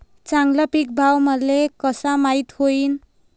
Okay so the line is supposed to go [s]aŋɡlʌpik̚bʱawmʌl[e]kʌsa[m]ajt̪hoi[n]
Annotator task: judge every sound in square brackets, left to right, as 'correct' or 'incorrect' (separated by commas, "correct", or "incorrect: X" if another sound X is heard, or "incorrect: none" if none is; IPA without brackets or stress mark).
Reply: incorrect: t͡s, correct, correct, correct